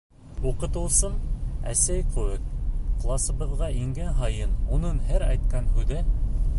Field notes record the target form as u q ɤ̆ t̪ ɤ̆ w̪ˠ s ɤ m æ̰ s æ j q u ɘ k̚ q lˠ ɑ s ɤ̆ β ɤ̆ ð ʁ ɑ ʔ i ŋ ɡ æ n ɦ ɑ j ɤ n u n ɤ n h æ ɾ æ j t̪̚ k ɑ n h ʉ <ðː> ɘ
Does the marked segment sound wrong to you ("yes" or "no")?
yes